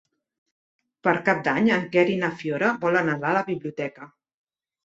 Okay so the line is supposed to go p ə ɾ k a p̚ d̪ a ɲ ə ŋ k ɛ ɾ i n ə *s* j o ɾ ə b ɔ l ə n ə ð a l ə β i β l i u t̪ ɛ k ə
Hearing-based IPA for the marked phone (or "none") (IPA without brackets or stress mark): f